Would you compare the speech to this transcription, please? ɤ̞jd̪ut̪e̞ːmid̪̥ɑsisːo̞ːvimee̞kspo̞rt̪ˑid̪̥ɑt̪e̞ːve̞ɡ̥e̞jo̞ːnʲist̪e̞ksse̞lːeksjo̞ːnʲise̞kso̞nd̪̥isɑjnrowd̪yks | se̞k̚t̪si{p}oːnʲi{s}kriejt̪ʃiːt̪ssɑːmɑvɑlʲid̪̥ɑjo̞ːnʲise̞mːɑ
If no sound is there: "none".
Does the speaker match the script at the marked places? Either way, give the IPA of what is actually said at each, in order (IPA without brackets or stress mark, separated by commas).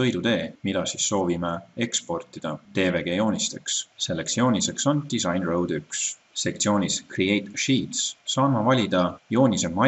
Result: none, s